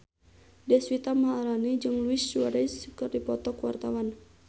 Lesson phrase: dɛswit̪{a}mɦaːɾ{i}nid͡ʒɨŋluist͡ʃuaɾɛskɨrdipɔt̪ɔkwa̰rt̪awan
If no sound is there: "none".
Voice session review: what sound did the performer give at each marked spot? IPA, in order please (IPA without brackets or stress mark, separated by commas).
a, a